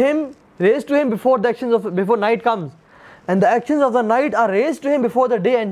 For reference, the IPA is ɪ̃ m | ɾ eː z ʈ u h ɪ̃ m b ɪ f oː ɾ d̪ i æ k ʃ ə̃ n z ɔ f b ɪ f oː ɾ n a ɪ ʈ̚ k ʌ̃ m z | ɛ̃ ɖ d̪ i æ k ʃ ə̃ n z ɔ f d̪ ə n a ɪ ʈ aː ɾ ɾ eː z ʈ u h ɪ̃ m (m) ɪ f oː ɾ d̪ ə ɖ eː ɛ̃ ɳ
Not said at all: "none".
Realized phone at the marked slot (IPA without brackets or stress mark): b